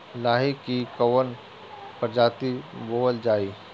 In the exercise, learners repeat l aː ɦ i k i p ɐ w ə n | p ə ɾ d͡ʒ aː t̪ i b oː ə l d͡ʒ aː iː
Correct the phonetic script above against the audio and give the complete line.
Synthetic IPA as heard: l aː ɦ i k i k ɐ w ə n | p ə ɾ d͡ʒ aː t̪ i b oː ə l d͡ʒ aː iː

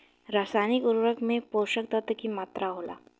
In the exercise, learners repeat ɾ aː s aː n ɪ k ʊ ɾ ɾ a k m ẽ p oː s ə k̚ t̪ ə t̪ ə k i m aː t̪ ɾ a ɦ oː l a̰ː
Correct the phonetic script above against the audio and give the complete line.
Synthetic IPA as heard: ɾ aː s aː n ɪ k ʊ ɾ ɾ ə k m ẽ p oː ʃ ə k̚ t̪ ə t̪ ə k i m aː t̪ ɾ a ɦ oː l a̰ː

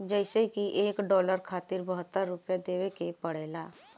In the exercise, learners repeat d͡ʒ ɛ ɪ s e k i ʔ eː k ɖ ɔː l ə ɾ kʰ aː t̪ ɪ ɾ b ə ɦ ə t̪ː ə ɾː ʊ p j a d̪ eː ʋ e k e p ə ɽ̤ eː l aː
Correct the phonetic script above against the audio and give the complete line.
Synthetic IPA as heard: d͡ʒ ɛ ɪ s e k i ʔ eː k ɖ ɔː l ə ɾ kʰ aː t̪ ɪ ɾ b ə ɦ ə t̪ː ə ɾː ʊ p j a d̪ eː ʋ e k e p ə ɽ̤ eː l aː

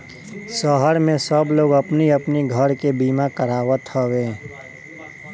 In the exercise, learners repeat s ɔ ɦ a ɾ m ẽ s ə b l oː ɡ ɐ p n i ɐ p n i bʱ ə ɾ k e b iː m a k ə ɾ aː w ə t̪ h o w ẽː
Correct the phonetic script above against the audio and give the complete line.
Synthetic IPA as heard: s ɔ ɦ ə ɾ m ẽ s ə b l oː ɡ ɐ p n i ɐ p n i ɡʱ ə ɾ k e b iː m a k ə ɾ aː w ə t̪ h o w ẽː

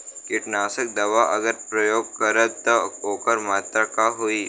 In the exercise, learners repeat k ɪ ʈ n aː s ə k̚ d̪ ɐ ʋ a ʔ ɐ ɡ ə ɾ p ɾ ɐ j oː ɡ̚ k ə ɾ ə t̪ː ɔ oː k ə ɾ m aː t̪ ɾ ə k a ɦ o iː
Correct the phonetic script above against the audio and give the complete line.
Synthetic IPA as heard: k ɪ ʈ n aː s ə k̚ d̪ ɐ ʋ a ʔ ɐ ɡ ə ɾ p ɾ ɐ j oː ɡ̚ k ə ɾ ə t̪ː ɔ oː k ə ɾ m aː t̪ ɾ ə k a ɦ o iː

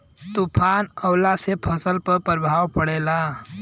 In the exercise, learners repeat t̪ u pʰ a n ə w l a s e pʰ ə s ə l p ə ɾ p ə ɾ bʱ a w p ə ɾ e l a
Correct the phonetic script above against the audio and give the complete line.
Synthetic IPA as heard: t̪ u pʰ a n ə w l a s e pʰ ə s ə l p ə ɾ p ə ɾ bʱ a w p ə ɽ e l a

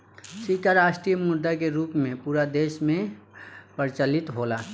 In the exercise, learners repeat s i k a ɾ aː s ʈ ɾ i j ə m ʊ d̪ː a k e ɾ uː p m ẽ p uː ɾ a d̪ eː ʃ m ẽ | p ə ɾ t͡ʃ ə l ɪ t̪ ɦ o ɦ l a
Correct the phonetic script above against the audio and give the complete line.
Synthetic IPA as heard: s i k a ɾ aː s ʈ ɾ i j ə m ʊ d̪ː a k e ɾ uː p m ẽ p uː ɾ a d̪ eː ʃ m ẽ | p ə ɾ t͡ʃ ə l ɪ t̪ ɦ o l a

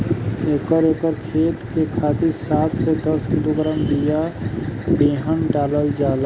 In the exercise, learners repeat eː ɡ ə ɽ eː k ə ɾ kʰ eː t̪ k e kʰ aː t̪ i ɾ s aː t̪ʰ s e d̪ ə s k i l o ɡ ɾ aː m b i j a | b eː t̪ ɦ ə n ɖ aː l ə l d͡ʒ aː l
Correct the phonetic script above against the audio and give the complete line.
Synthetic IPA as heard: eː k ə ɾ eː k ə ɾ kʰ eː t̪ k e kʰ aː t̪ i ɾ s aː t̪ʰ s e d̪ ə s k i l o ɡ ɾ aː m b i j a | b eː ɦ ə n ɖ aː l ə l d͡ʒ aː l

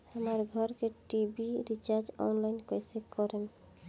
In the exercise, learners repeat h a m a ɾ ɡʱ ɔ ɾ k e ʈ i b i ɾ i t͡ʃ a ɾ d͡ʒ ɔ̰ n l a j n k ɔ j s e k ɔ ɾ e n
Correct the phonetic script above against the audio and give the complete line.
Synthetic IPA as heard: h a m a ɾ ɡʱ ɔ ɾ k e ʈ i b i ɾ i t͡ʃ a ɾ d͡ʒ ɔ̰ n l a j n k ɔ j s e k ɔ ɾ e n

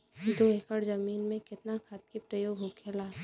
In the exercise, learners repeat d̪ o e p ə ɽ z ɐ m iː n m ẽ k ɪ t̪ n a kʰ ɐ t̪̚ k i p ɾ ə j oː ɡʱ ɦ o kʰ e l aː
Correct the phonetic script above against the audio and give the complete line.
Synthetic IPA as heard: d̪ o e k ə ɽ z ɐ m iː n m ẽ k ɪ t̪ n a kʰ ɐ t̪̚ k i p ɾ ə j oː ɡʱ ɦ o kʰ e l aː

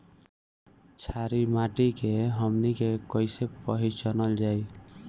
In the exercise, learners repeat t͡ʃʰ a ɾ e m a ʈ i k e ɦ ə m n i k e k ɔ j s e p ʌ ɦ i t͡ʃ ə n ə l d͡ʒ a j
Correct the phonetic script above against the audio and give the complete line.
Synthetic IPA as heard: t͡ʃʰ a ɾ i m a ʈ i k e ɦ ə m n i k e k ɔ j s e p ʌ ɦ i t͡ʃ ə n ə l d͡ʒ a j

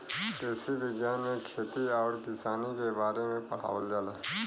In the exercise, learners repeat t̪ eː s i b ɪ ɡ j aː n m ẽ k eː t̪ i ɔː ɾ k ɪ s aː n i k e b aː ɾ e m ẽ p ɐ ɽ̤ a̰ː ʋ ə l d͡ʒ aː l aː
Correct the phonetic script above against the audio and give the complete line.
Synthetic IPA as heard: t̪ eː s i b ɪ ɡ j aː n m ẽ kʰ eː t̪ i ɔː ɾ k ɪ s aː n i k e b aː ɾ e m ẽ p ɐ ɽ̤ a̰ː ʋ ə l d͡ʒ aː l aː

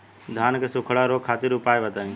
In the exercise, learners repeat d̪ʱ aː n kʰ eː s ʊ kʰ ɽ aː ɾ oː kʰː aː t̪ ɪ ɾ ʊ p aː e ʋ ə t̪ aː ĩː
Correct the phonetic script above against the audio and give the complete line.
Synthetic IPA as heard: d̪ʱ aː n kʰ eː s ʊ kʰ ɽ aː ɾ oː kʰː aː t̪ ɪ ɾ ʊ p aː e ʋ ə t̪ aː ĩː

